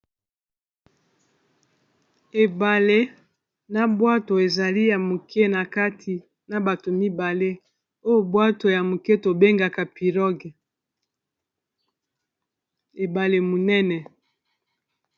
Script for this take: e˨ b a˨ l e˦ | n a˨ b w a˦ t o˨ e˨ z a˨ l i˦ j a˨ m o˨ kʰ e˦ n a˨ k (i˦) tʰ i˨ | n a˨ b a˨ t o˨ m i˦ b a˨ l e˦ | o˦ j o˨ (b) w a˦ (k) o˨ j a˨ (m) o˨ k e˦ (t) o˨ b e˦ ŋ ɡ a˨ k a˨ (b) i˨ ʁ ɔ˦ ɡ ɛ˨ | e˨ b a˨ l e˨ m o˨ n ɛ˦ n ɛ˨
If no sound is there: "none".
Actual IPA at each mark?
a˦, b, t, m, t, p

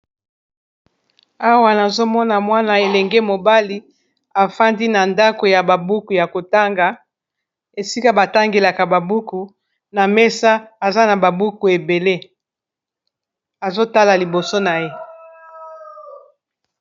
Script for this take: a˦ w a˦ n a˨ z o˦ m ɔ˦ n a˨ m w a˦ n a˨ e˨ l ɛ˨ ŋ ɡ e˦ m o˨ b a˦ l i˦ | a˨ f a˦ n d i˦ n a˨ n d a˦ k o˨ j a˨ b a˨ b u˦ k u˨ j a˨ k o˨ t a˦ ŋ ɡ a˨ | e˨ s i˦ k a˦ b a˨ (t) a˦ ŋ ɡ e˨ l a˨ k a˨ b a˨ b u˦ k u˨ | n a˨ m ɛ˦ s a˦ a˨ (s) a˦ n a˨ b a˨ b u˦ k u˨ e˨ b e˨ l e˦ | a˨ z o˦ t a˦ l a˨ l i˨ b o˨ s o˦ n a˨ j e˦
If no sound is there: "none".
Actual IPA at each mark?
t, z

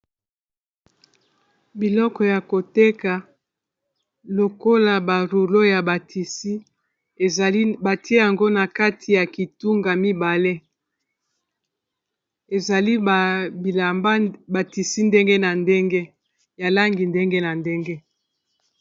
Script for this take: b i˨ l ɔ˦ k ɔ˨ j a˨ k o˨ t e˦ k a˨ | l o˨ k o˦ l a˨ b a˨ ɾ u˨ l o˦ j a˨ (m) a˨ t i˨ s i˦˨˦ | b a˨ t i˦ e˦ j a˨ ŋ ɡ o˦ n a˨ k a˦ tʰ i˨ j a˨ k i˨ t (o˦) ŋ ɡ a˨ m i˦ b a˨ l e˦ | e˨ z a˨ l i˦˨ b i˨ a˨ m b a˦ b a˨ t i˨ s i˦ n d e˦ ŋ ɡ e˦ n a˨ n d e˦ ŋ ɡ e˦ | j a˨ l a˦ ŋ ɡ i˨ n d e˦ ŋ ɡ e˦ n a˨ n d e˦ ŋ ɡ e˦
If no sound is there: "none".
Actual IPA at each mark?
b, u˦

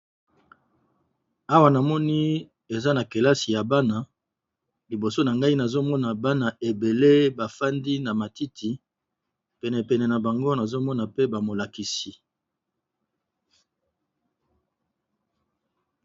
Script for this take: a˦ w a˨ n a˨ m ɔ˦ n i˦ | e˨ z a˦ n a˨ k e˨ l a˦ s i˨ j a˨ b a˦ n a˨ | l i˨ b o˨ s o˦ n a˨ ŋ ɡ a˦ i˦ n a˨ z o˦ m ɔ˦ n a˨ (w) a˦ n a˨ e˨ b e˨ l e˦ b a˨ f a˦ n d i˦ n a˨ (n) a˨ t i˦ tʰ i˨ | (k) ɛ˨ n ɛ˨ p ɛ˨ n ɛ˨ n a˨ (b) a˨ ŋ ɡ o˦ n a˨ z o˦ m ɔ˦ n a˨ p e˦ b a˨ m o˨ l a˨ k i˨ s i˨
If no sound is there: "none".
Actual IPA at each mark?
b, m, p, b

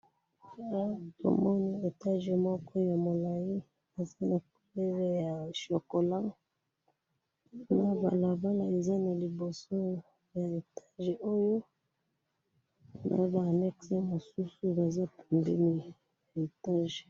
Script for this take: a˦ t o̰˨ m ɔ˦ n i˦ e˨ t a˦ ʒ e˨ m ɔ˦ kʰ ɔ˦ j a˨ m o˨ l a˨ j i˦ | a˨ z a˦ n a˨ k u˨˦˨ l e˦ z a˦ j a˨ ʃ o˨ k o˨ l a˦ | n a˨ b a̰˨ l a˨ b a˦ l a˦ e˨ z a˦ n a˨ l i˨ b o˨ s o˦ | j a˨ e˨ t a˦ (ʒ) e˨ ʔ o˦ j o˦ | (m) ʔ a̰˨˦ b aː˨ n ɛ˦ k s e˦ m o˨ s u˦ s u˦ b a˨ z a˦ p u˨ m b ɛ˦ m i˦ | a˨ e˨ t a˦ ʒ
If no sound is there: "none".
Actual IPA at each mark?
ʒ, n

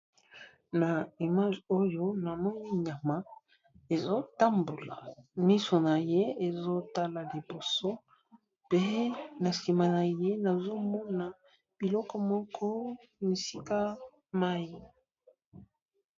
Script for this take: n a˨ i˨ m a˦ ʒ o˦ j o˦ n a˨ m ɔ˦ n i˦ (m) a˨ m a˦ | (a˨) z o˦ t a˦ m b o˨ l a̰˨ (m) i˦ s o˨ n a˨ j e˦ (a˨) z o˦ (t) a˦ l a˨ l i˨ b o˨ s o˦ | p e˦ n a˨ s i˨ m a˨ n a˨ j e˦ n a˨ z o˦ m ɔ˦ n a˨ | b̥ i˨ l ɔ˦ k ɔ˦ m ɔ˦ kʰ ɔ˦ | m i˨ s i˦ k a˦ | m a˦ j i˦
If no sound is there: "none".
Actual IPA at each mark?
ɲ, e˨, m, e˨, t

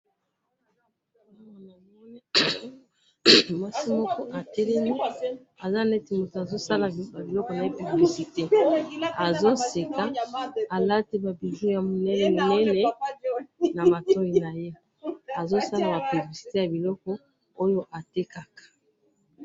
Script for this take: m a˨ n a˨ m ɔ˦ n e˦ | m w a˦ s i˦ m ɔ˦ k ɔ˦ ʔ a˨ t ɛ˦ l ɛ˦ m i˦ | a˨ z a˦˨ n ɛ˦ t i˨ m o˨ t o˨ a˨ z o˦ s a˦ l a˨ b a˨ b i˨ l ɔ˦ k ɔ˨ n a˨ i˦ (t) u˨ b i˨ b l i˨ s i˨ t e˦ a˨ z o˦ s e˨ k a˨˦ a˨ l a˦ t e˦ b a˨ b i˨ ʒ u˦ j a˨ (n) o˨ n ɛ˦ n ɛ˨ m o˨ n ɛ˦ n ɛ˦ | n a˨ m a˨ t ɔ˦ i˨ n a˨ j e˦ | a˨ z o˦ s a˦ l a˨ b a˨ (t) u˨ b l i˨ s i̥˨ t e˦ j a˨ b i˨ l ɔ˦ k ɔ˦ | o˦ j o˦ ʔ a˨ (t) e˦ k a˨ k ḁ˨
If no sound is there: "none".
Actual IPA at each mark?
p, m, p, t

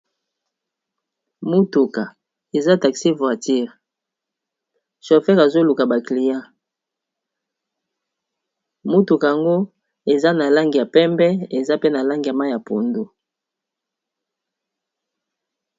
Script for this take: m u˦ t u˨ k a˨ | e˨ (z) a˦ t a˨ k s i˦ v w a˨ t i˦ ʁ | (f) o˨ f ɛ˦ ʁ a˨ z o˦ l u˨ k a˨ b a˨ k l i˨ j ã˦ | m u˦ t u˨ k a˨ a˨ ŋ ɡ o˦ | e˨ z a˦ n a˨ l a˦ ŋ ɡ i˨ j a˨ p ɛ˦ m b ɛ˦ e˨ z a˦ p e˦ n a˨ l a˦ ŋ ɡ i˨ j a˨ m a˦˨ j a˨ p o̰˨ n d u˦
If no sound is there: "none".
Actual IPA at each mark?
z, ʃ

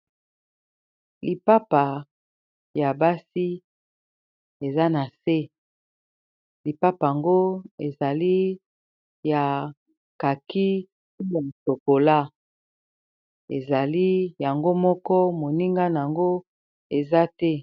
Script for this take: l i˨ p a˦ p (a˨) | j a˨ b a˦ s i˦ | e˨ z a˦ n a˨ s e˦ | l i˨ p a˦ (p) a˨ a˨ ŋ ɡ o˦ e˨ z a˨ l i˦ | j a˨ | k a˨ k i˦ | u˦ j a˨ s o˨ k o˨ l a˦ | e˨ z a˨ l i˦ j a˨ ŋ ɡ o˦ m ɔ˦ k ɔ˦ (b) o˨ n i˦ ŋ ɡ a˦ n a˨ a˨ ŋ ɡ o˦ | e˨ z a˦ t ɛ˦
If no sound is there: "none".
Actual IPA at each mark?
a˨, p, m

